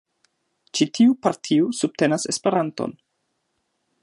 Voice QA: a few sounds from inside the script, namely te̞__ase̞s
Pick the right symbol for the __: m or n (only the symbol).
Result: n